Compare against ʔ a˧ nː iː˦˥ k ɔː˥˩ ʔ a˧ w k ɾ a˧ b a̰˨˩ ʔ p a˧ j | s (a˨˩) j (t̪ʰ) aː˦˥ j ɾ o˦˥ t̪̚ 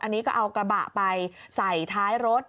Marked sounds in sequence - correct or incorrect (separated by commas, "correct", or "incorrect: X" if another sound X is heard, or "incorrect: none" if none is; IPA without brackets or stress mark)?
correct, correct